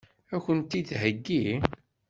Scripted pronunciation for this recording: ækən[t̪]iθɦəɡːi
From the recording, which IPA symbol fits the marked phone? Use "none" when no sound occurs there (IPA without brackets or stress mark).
t̪